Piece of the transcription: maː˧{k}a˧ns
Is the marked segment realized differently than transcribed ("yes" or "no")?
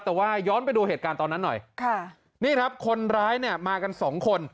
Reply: no